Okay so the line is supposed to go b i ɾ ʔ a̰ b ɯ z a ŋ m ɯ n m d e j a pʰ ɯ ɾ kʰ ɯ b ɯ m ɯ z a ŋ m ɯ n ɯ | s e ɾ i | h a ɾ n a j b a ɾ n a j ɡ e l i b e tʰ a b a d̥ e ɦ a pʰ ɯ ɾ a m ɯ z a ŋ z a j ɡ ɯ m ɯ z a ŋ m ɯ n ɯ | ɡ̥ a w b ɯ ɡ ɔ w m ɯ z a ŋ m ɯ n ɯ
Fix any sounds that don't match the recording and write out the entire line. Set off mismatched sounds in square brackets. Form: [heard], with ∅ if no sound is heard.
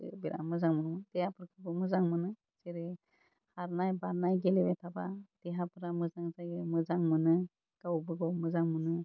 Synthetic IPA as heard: b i ɾ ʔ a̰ [m] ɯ z a ŋ m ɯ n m d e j a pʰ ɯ ɾ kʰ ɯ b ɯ m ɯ z a ŋ m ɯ n ɯ | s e ɾ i | h a ɾ n a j b a ɾ n a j ɡ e l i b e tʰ a b a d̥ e ɦ a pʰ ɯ ɾ a m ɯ z a ŋ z a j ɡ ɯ m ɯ z a ŋ m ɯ n ɯ | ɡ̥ a w b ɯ ɡ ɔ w m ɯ z a ŋ m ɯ n ɯ